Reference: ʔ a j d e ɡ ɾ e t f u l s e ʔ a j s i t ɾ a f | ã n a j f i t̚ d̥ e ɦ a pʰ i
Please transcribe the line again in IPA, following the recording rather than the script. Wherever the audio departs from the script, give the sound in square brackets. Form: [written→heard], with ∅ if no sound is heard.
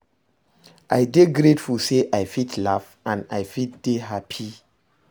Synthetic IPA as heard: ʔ a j d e ɡ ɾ e t f u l s e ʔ a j [s→f] i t [ɾ→l] a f | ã n a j f i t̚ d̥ e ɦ a pʰ i